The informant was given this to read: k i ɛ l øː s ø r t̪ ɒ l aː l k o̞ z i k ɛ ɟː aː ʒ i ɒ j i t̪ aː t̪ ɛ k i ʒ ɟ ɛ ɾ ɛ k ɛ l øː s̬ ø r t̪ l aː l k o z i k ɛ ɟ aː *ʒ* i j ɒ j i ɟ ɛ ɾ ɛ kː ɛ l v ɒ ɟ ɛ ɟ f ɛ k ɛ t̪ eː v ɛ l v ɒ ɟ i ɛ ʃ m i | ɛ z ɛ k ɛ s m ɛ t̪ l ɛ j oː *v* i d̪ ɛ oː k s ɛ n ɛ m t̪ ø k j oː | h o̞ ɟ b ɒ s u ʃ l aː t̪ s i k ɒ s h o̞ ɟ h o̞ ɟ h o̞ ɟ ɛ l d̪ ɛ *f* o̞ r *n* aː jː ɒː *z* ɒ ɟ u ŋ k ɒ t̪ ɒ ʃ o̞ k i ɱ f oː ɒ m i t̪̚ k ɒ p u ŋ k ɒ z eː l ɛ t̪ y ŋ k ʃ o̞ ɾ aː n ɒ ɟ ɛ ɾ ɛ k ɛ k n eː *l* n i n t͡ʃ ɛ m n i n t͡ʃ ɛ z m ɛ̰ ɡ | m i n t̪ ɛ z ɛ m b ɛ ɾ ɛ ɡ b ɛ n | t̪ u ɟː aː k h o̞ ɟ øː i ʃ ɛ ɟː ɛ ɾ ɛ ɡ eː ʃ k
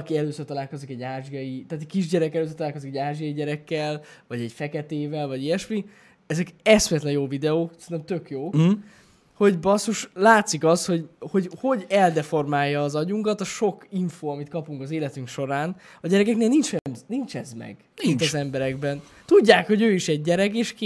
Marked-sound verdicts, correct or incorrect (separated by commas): correct, correct, correct, incorrect, correct, correct